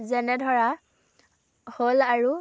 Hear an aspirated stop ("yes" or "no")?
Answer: no